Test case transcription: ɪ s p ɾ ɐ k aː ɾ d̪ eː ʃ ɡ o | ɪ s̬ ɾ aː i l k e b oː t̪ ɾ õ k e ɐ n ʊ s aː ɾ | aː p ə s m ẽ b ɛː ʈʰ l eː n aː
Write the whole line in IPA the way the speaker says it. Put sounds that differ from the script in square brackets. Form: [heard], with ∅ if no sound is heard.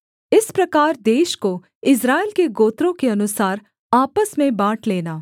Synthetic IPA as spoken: ɪ s p ɾ ɐ k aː ɾ d̪ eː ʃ [k] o | ɪ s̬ ɾ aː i l k e [ɡ] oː t̪ ɾ õ k e ɐ n ʊ s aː ɾ | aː p ə s m ẽ b [aː] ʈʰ l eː n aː